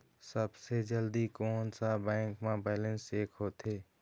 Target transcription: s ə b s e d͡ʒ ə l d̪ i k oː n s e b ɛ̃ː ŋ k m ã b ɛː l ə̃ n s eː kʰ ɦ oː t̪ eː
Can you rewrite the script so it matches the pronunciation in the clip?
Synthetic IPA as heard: s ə b s e d͡ʒ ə l d̪ i k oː n s a b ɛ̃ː ŋ k m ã b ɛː l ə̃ n s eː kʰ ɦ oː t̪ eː